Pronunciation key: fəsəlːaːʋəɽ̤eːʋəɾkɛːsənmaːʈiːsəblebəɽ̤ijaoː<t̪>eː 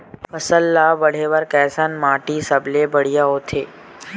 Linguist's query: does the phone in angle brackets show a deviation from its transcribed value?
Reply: yes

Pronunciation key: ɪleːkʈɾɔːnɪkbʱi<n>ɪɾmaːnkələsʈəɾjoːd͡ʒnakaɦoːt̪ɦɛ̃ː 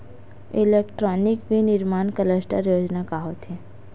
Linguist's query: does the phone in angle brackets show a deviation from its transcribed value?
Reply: no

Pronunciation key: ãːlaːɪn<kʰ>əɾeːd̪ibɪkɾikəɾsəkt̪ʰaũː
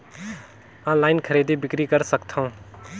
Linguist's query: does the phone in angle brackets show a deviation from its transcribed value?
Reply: no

